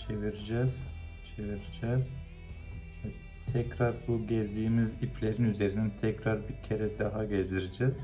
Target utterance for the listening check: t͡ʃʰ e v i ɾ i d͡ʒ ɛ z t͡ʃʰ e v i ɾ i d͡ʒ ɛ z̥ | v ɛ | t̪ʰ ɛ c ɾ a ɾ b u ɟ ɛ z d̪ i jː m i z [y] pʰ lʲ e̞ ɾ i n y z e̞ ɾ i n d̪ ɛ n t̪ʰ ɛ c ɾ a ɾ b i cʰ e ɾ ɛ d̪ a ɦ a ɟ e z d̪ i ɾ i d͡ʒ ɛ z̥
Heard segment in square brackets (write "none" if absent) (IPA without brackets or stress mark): i